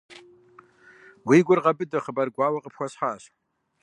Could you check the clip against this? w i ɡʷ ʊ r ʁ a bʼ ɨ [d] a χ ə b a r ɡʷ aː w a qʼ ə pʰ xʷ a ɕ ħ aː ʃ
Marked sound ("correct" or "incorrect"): correct